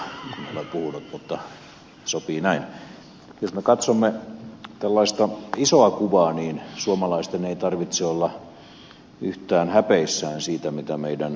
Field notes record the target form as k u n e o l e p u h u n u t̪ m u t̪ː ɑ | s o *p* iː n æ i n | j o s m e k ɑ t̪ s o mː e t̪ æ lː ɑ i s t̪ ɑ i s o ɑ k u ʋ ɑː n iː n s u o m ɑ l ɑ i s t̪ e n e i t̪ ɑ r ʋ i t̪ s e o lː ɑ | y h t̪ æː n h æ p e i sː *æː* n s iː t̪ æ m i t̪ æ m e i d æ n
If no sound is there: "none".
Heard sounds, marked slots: p, æː

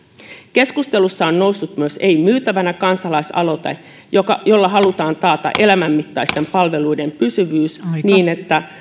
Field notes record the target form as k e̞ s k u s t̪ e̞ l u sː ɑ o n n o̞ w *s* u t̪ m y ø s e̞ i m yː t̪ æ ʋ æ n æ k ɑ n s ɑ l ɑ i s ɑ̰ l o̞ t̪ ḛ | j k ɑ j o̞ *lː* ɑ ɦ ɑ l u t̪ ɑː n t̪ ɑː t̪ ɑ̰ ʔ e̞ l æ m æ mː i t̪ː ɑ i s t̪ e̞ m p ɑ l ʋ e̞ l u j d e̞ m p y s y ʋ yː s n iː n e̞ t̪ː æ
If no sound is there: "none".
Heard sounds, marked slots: sː, lː

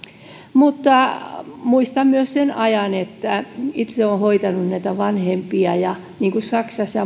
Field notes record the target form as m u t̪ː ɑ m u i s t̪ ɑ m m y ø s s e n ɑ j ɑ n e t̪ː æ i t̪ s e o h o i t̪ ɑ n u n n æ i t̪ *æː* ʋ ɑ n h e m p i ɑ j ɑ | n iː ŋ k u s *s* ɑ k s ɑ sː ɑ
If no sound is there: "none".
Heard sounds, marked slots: æ, s

